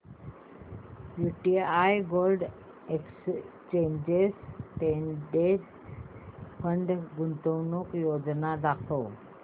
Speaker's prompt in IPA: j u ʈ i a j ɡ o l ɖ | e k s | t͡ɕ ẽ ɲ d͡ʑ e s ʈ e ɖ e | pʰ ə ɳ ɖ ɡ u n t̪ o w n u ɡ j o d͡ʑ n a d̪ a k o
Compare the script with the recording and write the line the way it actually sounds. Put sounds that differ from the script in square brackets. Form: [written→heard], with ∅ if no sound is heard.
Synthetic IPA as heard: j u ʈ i a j ɡ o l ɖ | e k s | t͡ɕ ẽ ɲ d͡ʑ e s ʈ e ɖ e | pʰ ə ɳ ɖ ɡ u n t̪ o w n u [ɡ→k] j o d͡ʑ n a d̪ a [k→kʰ] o